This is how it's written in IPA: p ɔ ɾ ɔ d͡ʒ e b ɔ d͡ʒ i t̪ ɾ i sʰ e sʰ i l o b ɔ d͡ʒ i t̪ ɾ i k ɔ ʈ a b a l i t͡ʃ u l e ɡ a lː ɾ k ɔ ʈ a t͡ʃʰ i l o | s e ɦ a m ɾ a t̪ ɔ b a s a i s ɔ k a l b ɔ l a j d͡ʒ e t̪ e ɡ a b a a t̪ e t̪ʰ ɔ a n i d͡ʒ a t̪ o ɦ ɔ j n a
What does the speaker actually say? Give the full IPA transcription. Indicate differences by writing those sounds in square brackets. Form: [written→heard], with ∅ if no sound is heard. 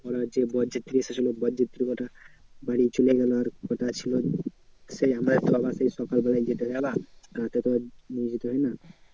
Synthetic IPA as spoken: p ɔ ɾ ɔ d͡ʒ e b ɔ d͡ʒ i t̪ ɾ i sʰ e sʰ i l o b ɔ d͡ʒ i t̪ ɾ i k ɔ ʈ a b a [l→ɽ] i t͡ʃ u l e ɡ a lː ɾ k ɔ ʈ a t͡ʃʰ i l o | s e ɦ a m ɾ a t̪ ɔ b a s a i s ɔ k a l b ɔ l a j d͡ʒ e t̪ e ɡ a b a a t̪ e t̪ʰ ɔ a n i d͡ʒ [a→i] t̪ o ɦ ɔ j n a